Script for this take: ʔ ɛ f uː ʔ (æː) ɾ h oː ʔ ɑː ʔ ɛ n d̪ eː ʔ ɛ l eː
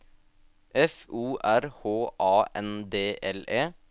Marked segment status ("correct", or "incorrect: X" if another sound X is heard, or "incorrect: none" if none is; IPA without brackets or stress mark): incorrect: æ